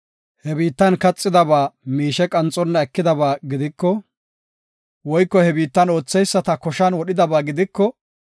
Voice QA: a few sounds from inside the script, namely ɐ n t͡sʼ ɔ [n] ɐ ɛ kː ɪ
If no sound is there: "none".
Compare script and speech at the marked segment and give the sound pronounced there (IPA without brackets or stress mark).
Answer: nː